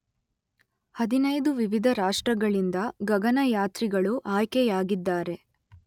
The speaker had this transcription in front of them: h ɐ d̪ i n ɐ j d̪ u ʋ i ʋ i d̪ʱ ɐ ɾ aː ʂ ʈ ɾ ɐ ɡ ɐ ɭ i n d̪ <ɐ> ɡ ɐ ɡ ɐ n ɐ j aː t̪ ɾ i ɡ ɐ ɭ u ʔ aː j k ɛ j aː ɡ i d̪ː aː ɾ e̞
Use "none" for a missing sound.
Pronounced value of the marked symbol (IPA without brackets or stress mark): ɐ